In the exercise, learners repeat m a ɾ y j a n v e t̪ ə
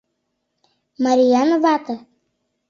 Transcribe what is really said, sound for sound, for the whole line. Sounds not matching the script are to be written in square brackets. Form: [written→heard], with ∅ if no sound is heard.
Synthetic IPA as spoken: m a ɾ [y→i] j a n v [e→a] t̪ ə